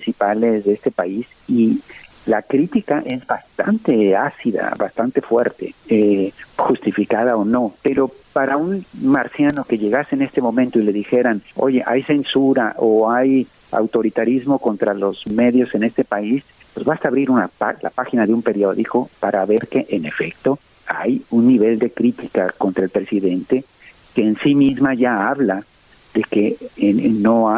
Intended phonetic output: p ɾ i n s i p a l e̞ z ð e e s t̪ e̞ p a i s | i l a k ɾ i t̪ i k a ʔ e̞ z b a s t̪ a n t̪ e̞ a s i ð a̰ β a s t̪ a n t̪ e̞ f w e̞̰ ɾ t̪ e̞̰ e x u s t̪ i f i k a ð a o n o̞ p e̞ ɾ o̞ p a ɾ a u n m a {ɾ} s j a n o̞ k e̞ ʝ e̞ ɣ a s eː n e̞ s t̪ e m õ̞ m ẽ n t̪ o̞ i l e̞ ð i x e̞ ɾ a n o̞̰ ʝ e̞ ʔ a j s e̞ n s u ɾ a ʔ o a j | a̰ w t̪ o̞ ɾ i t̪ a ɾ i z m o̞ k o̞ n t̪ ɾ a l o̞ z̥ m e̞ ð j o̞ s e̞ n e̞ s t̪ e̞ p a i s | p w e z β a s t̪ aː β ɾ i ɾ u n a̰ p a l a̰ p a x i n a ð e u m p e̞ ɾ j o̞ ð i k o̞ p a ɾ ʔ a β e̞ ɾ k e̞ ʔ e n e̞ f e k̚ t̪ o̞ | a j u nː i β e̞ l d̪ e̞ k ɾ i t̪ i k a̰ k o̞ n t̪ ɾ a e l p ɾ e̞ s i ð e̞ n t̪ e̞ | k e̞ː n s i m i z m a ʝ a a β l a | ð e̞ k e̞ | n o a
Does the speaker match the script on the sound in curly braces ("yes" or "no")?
yes